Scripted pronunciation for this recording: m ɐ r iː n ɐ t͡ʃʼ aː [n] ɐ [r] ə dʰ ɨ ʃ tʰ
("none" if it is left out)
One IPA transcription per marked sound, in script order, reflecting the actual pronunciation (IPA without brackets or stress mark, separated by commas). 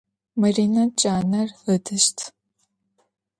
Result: n, r